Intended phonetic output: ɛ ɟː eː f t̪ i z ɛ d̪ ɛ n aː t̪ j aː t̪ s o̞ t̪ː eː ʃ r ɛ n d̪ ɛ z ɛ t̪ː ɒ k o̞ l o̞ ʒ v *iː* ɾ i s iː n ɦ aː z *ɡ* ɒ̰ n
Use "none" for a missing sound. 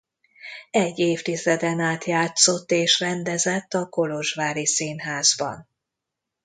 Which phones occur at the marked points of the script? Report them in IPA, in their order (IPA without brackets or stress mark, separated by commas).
aː, b